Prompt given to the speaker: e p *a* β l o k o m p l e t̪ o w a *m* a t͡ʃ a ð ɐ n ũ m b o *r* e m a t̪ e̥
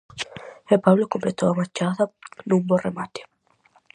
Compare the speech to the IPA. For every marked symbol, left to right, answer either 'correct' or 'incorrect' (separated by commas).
correct, correct, correct